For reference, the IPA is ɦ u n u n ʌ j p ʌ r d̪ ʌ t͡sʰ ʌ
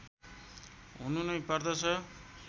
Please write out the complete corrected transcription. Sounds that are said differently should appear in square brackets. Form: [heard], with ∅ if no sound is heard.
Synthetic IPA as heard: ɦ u n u n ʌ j p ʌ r d̪ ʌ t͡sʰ ʌ